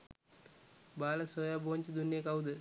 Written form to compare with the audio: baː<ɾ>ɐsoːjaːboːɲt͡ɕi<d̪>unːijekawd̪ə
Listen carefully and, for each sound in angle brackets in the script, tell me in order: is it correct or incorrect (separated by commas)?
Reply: incorrect, correct